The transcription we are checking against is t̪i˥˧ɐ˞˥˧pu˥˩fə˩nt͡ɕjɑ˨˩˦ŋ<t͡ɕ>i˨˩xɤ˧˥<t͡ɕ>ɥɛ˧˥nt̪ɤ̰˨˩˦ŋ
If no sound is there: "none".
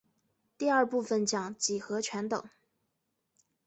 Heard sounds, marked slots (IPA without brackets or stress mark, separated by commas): t͡ɕ, t͡ɕʰ